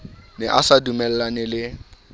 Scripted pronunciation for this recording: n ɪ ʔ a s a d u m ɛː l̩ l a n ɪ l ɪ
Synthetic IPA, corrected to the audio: n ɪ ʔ a s a d u m ɛ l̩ l a n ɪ l ɪ